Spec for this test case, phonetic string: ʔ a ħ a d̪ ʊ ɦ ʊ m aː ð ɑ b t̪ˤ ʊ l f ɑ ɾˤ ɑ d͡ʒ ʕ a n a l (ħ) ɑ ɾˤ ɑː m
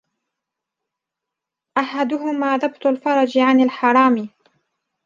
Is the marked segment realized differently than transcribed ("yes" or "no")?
no